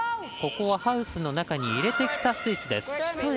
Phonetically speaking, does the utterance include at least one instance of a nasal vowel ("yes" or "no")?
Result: no